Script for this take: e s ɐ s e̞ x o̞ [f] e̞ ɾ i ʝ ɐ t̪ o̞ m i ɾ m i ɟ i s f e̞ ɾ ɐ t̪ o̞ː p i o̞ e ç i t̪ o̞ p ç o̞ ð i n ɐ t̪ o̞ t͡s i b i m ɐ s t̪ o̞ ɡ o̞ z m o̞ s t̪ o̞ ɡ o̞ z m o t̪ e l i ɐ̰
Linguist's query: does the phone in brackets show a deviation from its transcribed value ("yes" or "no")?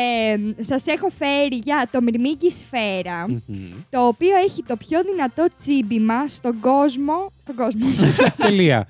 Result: no